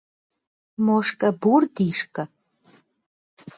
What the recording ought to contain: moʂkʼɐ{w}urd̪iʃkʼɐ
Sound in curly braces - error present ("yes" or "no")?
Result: yes